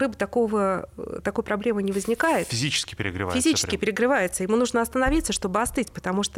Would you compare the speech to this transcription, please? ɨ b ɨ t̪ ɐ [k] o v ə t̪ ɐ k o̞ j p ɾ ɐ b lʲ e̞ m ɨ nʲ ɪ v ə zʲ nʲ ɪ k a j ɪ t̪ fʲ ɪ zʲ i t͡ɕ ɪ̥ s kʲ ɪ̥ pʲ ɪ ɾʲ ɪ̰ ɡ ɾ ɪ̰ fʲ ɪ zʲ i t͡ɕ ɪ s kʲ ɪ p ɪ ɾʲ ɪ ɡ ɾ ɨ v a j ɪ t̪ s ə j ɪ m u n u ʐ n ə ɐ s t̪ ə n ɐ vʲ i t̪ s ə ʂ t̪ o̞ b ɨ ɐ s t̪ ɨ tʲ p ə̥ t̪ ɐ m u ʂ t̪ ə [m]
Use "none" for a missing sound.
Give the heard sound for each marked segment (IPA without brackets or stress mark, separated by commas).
k, none